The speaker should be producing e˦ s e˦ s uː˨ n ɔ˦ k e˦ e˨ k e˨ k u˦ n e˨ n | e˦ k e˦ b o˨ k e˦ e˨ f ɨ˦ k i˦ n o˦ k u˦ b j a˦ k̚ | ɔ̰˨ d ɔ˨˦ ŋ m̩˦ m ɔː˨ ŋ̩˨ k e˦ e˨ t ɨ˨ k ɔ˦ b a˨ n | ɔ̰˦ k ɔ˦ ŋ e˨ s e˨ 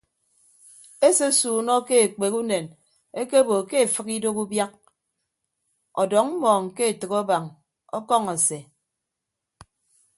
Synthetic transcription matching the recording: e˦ s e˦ s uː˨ n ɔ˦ k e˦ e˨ k͡p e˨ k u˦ n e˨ n | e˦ k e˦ b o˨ k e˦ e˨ f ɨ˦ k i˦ d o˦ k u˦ b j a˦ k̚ | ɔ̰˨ d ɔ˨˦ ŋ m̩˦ m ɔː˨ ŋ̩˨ k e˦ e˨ t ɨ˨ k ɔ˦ b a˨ ŋ | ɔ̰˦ k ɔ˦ ŋ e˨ s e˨